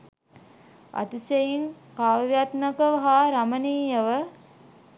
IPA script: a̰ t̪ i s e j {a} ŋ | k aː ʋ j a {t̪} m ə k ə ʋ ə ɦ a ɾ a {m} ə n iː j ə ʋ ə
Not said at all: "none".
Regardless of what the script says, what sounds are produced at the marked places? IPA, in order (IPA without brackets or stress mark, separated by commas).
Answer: i, t̪, m